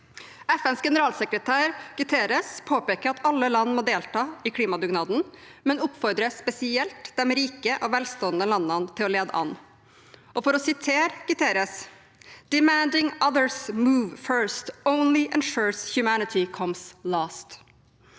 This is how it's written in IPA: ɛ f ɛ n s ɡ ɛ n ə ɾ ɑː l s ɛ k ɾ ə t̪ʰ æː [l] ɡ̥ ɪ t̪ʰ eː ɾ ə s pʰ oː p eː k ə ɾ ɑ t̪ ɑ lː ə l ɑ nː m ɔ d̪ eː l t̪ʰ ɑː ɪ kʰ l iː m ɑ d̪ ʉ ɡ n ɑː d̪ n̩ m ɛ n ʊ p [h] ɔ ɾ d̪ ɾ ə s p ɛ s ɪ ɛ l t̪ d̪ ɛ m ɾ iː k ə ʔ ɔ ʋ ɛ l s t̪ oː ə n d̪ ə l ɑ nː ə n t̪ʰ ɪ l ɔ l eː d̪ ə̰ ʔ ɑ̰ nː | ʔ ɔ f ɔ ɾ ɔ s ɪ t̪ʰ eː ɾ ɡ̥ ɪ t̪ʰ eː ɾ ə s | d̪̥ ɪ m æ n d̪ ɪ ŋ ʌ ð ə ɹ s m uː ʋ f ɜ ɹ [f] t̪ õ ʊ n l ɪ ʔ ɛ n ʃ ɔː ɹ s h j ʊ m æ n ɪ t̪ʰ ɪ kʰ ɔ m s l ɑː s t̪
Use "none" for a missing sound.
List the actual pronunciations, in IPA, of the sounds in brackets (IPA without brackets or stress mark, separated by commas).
ɾ, f, s